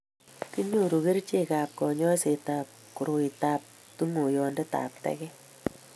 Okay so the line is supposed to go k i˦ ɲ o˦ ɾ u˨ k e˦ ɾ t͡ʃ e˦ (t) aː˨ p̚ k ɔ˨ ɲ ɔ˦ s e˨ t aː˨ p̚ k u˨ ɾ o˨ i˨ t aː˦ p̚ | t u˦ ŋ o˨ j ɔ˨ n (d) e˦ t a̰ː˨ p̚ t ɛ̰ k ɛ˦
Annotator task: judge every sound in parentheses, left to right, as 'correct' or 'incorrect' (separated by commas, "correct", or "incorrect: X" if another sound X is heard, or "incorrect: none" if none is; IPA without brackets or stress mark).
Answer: incorrect: k, correct